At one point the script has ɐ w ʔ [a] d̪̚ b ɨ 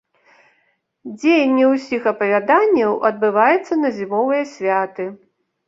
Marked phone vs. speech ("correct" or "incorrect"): incorrect